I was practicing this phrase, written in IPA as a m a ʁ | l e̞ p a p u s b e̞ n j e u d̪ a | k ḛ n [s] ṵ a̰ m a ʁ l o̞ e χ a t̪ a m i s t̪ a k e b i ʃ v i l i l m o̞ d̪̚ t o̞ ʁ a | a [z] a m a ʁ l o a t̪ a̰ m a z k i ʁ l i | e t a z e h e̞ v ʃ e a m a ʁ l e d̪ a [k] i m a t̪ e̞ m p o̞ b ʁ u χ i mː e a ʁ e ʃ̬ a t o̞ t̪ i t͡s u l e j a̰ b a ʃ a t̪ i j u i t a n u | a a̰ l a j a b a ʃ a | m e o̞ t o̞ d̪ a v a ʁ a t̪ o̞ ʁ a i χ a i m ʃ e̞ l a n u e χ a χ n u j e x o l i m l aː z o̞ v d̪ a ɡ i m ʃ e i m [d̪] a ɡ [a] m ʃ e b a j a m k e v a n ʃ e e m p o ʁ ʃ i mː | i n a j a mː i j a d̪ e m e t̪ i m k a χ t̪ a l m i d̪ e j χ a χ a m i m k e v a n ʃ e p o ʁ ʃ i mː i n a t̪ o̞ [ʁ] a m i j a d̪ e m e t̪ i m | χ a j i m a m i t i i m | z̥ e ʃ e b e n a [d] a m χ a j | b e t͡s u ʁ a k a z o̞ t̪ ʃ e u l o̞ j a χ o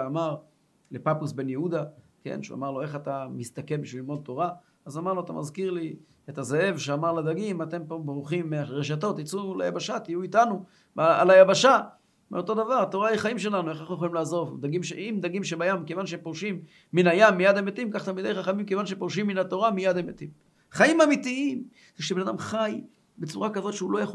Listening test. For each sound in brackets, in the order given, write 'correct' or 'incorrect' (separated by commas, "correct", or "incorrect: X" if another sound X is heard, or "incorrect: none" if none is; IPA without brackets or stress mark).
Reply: incorrect: ʃ, correct, incorrect: ɡ, correct, incorrect: i, correct, correct